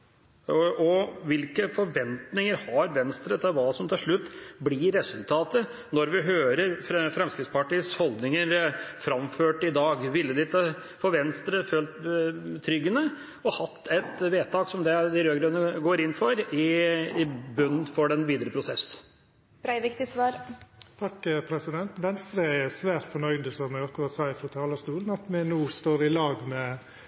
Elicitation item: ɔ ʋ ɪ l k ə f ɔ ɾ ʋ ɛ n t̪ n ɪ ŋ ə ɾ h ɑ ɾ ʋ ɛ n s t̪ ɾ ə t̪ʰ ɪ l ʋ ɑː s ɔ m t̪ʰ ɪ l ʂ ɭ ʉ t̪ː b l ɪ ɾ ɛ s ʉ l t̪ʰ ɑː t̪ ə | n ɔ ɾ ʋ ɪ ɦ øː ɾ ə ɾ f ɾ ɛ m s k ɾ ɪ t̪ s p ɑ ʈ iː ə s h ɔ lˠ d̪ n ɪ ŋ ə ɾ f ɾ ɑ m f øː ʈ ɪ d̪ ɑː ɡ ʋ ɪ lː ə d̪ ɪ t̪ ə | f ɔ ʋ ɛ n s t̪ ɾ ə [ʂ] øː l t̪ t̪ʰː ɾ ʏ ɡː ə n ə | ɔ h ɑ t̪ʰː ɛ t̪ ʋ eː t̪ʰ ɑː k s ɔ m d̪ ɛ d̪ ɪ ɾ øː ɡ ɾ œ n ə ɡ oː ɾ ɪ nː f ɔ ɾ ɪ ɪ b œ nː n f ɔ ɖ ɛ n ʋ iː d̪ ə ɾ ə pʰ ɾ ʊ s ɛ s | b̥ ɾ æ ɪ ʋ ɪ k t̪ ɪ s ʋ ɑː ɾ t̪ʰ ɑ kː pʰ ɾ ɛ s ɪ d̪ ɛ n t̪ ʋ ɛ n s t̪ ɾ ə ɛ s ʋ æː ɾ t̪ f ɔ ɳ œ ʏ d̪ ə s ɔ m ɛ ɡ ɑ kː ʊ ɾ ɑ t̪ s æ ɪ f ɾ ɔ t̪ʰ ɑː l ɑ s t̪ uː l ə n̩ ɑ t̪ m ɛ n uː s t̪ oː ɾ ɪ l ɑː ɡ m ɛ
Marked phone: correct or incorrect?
incorrect